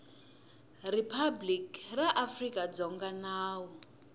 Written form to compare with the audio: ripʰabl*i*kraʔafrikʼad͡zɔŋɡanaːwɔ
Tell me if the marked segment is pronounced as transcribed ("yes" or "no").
yes